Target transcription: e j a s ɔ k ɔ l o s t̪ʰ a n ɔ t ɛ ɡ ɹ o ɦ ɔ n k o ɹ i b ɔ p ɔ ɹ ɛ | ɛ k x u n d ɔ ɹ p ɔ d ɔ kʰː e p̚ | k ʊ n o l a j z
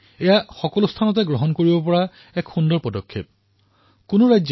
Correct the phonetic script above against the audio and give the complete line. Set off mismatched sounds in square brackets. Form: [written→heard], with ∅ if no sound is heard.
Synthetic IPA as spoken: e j a [s→x] ɔ k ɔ l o s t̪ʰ a n ɔ t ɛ ɡ ɹ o ɦ ɔ n k o ɹ i b ɔ p ɔ ɹ [ɛ→a] | ɛ k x u n d ɔ ɹ p ɔ d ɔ kʰː e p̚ | k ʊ n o [l→ɹ] a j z

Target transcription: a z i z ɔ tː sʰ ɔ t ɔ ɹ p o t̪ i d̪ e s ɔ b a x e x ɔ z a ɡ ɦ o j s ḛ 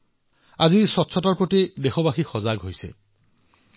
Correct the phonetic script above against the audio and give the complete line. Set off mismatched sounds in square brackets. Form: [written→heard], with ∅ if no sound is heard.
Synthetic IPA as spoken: a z i [z→s] ɔ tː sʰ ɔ t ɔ ɹ p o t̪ i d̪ e [s→x] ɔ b a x [e→i] x ɔ z a ɡ ɦ o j s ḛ

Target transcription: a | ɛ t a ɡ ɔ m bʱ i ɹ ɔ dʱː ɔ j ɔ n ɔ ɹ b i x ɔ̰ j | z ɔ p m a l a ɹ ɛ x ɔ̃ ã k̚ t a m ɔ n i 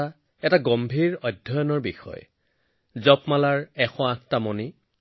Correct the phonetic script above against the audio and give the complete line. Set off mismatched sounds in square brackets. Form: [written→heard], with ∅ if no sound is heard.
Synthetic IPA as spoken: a | ɛ t a ɡ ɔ m bʱ i ɹ ɔ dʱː ɔ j ɔ n ɔ ɹ b i x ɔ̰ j | z ɔ p m a l a ɹ ɛ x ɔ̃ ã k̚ t a m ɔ n i

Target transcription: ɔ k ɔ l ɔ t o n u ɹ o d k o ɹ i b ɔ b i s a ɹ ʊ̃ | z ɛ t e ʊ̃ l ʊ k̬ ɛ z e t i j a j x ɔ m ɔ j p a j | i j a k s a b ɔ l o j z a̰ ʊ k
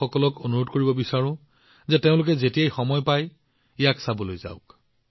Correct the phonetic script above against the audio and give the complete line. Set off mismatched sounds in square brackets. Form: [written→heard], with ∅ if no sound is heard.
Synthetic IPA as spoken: ɔ k ɔ l ɔ [t→k] o n u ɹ o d k o ɹ i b ɔ b i s a ɹ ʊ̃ | z ɛ t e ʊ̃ l ʊ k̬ ɛ z e t i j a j x ɔ m ɔ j p a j | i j a k s a b ɔ l o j z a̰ ʊ k

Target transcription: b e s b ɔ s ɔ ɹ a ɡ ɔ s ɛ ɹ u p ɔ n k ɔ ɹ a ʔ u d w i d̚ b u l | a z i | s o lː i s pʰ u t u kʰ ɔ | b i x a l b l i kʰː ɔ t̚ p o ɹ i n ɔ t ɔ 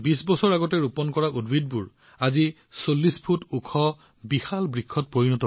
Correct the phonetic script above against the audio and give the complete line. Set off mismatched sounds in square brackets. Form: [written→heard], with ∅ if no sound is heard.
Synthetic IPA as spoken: b [e→i] s b ɔ s ɔ ɹ a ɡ ɔ [s→t] ɛ ɹ u p ɔ n k ɔ ɹ a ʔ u d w i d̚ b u [l→ɹ] | a z i | s o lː i s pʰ u t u kʰ ɔ | b i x a l b [l→ɹ] i kʰː ɔ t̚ p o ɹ i n ɔ t ɔ

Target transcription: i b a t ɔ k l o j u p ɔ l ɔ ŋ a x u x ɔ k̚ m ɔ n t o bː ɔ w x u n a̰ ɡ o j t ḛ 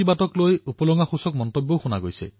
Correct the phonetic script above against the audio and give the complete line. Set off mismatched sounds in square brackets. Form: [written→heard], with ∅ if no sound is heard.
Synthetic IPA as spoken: i b a t ɔ k l o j u p ɔ l ɔ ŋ a x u [x→s] ɔ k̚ m ɔ n t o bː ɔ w x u n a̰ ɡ o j [t→s] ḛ

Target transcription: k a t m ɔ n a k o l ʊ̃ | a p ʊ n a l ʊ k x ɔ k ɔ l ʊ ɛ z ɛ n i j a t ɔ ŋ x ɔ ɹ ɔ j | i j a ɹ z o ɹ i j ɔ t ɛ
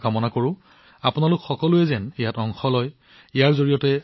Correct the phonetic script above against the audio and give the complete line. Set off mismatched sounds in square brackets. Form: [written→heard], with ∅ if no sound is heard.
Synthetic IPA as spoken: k a [t→∅] m ɔ n a k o [l→ɹ] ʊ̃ | a p ʊ n a l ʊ k x ɔ k ɔ l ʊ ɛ z ɛ n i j a t ɔ ŋ x ɔ [ɹ→l] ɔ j | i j a ɹ z o ɹ i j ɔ t ɛ

